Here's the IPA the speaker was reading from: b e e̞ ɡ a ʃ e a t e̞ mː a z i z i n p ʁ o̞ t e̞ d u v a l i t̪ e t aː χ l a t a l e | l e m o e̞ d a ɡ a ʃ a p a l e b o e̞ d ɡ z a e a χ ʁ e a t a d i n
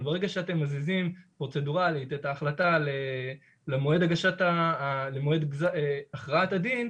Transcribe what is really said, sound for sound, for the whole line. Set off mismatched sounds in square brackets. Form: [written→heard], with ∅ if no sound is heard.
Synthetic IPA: b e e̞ ɡ a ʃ e a t e̞ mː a z i z i [n→m] p ʁ o̞ [t→t͡s] e̞ d u [v→ʁ] a l i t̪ e t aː χ l a t a l e | l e m o e̞ d a ɡ a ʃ a [p→t] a l e [b→m] o e̞ d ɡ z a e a χ ʁ [e→a] a t a d i n